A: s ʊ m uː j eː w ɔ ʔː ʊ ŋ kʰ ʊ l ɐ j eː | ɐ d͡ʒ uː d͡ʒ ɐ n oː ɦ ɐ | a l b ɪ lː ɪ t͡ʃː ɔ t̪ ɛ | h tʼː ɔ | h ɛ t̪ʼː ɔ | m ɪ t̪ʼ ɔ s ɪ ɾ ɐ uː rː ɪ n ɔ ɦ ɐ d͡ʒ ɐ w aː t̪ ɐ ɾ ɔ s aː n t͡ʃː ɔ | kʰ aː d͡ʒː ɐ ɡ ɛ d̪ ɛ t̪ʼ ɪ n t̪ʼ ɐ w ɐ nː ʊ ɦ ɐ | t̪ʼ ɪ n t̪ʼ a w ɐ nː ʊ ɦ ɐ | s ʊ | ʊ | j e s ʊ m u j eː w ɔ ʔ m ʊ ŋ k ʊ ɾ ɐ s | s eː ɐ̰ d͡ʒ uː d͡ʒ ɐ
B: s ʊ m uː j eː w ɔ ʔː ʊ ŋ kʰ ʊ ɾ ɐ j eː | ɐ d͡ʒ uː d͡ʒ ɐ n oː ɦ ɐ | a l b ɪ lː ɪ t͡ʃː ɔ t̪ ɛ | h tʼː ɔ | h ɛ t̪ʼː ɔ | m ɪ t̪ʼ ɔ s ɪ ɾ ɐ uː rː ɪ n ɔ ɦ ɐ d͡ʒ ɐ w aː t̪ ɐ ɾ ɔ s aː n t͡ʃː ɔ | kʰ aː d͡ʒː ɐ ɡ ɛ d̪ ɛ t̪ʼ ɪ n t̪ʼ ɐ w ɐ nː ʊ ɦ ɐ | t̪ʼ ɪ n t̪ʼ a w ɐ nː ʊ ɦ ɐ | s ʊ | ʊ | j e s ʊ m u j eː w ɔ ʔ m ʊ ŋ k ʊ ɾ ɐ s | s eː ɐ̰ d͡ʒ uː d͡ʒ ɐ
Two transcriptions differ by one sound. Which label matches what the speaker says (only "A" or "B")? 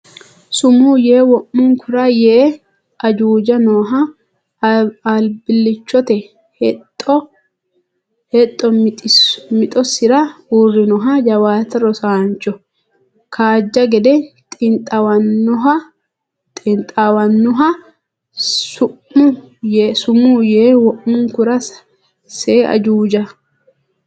B